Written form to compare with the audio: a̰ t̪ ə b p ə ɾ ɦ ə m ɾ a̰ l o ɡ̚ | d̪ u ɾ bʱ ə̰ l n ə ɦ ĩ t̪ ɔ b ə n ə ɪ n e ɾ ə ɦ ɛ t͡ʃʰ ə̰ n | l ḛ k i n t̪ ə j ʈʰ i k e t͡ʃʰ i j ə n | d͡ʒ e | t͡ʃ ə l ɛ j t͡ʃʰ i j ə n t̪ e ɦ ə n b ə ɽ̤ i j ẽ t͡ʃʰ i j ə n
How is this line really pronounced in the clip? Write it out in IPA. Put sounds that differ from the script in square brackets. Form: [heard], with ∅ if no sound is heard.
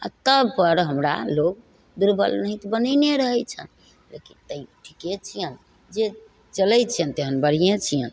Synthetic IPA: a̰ t̪ ə b p ə ɾ ɦ ə m ɾ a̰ l o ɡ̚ | d̪ u ɾ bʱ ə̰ l n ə ɦ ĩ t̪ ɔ b ə n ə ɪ n e ɾ ə ɦ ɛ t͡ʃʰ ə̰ n | l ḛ k i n t̪ ə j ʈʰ i k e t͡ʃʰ i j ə n | d͡ʒ e | t͡ʃ ə l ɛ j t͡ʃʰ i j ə n t̪ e ɦ ə n b ə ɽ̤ i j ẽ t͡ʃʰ i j ə n